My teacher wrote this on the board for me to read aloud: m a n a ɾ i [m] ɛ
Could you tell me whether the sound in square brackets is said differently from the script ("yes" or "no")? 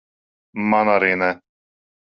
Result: yes